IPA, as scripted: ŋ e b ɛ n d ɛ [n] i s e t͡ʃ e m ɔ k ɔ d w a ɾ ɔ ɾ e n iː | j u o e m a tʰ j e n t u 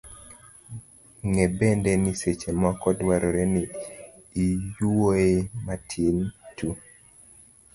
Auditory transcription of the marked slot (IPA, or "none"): n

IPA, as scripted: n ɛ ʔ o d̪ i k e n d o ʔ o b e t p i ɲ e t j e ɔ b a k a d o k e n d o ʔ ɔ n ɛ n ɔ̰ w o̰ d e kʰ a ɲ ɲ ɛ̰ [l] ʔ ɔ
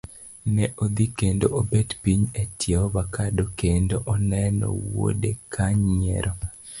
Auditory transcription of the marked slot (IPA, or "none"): ɾ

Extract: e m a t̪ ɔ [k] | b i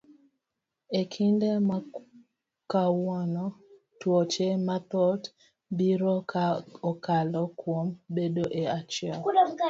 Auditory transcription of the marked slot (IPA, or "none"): t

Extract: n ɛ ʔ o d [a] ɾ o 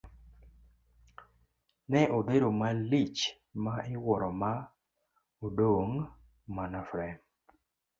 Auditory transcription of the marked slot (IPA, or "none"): e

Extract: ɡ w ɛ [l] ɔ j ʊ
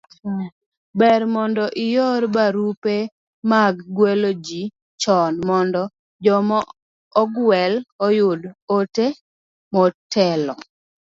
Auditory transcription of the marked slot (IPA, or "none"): l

